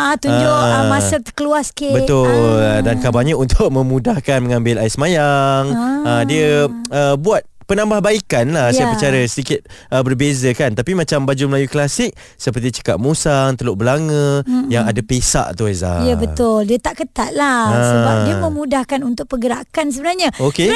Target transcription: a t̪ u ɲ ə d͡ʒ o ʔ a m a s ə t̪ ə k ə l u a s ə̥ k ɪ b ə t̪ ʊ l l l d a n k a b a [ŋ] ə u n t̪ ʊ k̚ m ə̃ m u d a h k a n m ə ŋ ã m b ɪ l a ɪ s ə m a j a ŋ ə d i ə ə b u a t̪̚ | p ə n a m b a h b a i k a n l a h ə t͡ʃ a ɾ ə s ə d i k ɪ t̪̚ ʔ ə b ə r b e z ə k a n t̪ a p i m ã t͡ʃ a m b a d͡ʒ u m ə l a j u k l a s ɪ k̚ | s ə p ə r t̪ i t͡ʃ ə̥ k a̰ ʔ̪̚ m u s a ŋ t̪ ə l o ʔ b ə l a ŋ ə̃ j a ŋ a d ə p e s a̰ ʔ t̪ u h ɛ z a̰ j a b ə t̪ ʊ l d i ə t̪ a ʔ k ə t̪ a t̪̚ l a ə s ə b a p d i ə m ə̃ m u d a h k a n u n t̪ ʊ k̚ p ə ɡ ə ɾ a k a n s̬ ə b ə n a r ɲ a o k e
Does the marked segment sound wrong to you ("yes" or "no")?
yes